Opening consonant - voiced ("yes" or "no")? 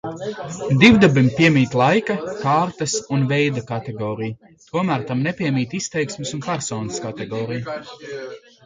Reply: yes